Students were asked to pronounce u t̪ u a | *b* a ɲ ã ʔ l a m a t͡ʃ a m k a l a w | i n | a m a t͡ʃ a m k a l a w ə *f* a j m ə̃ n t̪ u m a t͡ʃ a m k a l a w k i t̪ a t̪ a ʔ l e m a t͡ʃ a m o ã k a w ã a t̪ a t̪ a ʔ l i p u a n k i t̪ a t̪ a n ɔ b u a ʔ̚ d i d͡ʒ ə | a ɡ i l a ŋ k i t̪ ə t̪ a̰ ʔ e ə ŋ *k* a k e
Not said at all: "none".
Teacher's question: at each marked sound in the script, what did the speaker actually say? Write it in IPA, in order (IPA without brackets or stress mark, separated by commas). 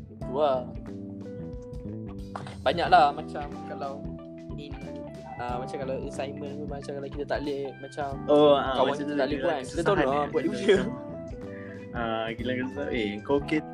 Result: b, s, k